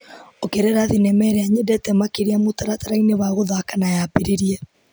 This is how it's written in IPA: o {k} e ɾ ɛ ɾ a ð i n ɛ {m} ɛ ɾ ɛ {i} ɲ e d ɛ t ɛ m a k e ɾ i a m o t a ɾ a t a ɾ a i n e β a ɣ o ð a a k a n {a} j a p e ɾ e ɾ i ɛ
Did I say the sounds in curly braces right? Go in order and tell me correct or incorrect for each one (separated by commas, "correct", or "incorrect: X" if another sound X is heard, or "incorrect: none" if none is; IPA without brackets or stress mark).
correct, correct, incorrect: a, correct